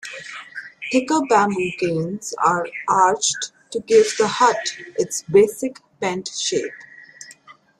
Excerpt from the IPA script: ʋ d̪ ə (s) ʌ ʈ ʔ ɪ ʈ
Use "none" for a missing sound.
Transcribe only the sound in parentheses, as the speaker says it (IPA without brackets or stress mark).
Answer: h